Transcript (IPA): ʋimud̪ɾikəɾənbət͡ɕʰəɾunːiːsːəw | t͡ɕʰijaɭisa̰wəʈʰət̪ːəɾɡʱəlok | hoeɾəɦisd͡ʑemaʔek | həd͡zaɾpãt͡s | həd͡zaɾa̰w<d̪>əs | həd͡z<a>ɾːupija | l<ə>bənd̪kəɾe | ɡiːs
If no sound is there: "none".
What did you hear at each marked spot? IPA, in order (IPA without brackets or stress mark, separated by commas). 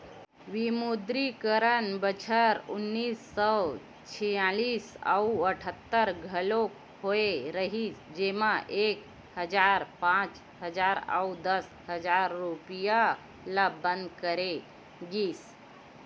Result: d̪, a, a